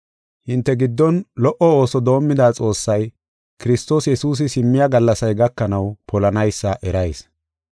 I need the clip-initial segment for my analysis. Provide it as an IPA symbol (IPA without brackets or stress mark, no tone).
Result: h